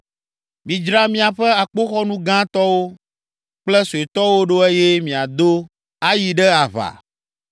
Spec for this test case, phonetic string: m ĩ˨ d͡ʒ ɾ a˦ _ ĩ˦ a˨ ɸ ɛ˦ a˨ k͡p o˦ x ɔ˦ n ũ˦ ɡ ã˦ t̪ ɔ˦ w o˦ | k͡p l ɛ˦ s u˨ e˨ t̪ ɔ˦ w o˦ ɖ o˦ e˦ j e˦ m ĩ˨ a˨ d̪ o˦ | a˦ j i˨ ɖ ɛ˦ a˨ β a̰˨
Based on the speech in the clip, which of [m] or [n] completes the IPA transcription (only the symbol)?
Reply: m